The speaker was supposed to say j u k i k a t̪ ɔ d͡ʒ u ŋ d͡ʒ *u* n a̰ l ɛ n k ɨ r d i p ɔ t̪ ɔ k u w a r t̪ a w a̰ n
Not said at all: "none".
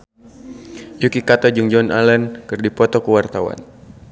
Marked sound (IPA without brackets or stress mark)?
ɔ